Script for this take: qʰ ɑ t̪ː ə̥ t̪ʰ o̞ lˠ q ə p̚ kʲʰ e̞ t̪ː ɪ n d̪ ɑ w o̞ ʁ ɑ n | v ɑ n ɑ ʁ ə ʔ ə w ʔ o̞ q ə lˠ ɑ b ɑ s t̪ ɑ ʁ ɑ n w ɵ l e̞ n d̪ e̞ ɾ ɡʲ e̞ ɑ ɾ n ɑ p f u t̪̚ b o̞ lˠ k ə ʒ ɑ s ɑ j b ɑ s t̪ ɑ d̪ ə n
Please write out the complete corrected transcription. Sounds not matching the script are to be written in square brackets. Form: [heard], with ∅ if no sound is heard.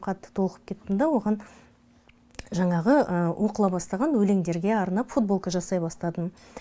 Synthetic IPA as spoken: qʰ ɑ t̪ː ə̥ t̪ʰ o̞ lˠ q ə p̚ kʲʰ e̞ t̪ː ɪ n d̪ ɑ w o̞ ʁ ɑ n | [ʒ] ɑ [ɴ] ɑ ʁ ə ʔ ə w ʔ o̞ q ə lˠ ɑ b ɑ s t̪ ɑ ʁ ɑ n w ɵ l e̞ [ŋ] d̪ e̞ ɾ ɡʲ e̞ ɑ ɾ n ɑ p f u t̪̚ b o̞ lˠ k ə ʒ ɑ s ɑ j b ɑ s t̪ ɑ d̪ ə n

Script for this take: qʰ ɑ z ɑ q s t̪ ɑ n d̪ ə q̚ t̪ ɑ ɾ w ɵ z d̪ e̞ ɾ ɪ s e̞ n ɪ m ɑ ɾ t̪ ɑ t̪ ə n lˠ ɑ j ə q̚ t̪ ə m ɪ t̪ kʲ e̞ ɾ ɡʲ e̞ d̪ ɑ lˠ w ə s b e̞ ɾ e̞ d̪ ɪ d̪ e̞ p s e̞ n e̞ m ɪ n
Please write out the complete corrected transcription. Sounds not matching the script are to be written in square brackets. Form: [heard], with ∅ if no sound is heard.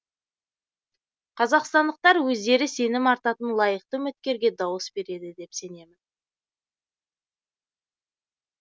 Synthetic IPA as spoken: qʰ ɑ z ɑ q s t̪ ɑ n d̪ ə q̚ t̪ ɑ ɾ w ɵ z d̪ e̞ ɾ ɪ s e̞ n ɪ m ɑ ɾ t̪ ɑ t̪ ə n lˠ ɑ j ə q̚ t̪ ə m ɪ t̪ kʲ e̞ ɾ ɡʲ e̞ d̪ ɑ [∅] w ə s b e̞ ɾ e̞ d̪ ɪ d̪ e̞ p s e̞ n e̞ m ɪ n

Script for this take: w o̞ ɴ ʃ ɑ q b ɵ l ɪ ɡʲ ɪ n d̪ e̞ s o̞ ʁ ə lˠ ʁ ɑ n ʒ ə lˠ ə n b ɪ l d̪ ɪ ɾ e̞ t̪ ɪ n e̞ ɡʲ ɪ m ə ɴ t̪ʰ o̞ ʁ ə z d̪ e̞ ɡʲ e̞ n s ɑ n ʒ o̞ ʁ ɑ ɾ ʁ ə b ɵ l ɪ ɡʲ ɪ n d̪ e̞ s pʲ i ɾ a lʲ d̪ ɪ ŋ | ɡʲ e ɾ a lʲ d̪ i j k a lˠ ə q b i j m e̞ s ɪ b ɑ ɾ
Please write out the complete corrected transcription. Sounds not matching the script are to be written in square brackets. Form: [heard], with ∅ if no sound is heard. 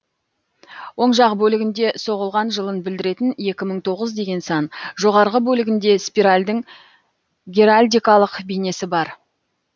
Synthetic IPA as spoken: w o̞ ɴ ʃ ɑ q b ɵ l ɪ ɡʲ ɪ n d̪ e̞ s o̞ ʁ ə lˠ ʁ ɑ n ʒ ə lˠ ə n b ɪ l d̪ ɪ ɾ e̞ t̪ ɪ n e̞ [kʲ] ɪ m ə ɴ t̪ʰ o̞ ʁ ə z d̪ e̞ ɡʲ e̞ n s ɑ n ʒ o̞ ʁ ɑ ɾ ʁ ə b ɵ l ɪ ɡʲ ɪ n d̪ e̞ s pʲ i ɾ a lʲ d̪ ɪ ŋ | ɡʲ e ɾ a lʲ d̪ i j k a lˠ ə q b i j [n] e̞ s ɪ b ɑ ɾ

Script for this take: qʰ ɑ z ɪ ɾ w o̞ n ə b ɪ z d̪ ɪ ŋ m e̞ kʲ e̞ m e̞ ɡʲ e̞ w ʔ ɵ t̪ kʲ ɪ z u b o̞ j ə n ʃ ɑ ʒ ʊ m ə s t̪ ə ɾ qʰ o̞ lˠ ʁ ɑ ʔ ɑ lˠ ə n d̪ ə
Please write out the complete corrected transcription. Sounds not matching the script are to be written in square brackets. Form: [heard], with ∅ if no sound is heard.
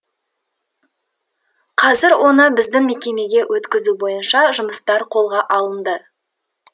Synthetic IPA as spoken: qʰ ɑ z ɪ ɾ w o̞ n ə b ɪ z d̪ ɪ ŋ m e̞ kʲ e̞ m e̞ ɡʲ e̞ w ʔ ɵ t̪ kʲ ɪ z u b o̞ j ə n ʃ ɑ ʒ ʊ m ə s t̪ [ɑ] ɾ qʰ o̞ lˠ ʁ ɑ ʔ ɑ lˠ ə n d̪ ə

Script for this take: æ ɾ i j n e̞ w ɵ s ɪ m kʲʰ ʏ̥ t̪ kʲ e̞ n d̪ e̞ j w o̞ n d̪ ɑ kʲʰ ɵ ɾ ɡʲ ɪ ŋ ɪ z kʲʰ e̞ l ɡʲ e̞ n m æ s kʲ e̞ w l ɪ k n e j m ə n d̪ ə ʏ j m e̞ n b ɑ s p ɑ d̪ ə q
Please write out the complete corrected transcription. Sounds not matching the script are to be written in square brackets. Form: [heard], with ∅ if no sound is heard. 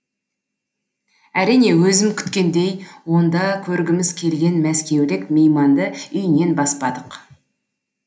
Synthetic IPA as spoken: æ ɾ i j n e̞ w ɵ [z] ɪ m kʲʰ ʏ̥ t̪ kʲ e̞ n d̪ e̞ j w o̞ n d̪ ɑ kʲʰ ɵ ɾ ɡʲ ɪ [m] ɪ z kʲʰ e̞ l ɡʲ e̞ n m æ s kʲ e̞ w l ɪ k [m] e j m [ɑ] n d̪ ə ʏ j [n] e̞ n b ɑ s p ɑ d̪ ə q

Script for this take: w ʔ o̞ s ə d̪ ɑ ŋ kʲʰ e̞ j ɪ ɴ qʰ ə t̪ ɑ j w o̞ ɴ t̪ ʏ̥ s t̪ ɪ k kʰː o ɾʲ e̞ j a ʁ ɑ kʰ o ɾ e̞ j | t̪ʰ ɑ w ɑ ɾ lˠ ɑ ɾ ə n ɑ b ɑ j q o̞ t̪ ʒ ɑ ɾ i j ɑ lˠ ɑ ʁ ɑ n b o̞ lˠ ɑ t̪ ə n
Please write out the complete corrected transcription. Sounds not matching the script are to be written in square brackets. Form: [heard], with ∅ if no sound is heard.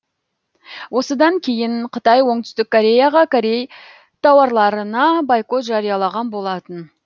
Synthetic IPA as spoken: w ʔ o̞ s ə d̪ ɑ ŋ kʲʰ e̞ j ɪ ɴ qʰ ə t̪ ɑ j w o̞ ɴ t̪ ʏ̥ s t̪ ɪ k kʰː o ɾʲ e̞ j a ʁ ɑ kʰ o ɾ e̞ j | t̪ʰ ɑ w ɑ ɾ lˠ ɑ ɾ ə n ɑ b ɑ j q o̞ t̪ ʒ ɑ ɾ i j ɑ lˠ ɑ ʁ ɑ n b o̞ lˠ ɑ t̪ ə n

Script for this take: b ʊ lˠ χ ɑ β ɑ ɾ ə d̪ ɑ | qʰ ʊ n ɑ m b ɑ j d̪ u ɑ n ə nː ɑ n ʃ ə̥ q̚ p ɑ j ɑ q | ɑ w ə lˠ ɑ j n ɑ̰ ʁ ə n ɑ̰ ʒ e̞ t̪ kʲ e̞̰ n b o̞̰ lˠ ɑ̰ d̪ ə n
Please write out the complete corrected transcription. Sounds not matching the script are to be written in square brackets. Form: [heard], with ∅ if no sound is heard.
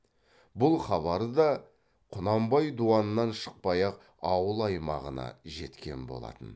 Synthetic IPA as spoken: b ʊ lˠ χ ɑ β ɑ ɾ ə d̪ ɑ | qʰ ʊ n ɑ m b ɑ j d̪ u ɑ n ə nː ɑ n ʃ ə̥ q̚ p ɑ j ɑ q | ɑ w ə lˠ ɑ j [m] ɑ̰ ʁ ə n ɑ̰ ʒ e̞ t̪ kʲ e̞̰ n b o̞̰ lˠ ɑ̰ [t̪] ə n

